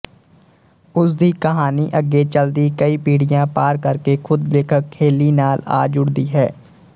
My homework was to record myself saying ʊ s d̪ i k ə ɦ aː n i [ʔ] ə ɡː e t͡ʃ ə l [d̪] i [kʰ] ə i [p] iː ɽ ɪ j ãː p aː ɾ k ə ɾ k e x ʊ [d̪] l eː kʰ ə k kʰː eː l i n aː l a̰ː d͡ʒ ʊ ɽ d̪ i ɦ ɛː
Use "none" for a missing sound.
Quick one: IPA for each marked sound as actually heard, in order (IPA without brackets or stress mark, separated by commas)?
ʔ, d̪, k, p, d̪